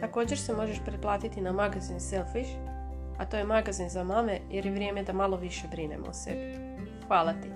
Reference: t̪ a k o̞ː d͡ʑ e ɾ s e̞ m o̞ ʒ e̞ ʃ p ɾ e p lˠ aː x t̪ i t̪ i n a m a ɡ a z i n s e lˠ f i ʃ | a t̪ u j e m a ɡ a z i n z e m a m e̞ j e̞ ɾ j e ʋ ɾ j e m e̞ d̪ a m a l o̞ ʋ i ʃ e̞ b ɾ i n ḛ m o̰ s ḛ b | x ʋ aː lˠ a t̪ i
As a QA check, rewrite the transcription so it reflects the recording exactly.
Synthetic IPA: t̪ a k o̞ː d͡ʑ e ɾ s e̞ m o̞ ʒ e̞ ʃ p ɾ e p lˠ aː t̪ i t̪ i n a m a ɡ a z i n s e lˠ f i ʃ | a t̪ o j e m a ɡ a z i n z a m a m e̞ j e̞ ɾ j e ʋ ɾ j e m e̞ d̪ a m a l o̞ ʋ i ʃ e̞ b ɾ i n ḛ m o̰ s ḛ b | x ʋ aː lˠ a t̪ i